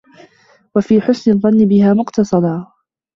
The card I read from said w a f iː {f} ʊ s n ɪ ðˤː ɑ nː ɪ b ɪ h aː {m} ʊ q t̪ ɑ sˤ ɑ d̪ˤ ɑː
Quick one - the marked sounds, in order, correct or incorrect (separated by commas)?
incorrect, correct